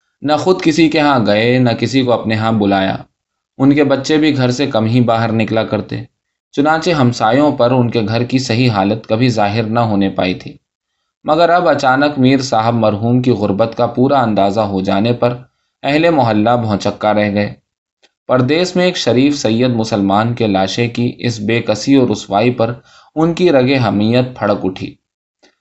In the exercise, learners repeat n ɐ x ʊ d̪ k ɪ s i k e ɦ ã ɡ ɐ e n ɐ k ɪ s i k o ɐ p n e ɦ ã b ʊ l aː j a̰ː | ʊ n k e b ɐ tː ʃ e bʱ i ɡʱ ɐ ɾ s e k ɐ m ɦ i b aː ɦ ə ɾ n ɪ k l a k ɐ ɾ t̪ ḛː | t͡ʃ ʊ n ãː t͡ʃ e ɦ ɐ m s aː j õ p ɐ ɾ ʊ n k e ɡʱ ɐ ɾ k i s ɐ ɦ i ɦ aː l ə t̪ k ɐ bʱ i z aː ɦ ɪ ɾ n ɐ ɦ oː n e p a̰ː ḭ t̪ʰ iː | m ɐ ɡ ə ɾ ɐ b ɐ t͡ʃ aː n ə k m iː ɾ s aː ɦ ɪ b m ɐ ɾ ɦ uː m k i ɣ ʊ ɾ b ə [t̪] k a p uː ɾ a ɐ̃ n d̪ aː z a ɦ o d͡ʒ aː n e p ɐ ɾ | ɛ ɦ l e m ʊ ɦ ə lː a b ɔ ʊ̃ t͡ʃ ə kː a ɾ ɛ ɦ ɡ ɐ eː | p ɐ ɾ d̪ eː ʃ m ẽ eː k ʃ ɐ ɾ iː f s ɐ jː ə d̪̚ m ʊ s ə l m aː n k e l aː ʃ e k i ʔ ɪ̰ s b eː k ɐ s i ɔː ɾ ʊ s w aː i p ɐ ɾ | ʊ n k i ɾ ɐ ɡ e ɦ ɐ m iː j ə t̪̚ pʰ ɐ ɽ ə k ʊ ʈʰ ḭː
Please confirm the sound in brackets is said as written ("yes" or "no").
yes